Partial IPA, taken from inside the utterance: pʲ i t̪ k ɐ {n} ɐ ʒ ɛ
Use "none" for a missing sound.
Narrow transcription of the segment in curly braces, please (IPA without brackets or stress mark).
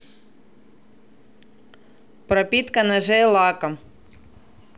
n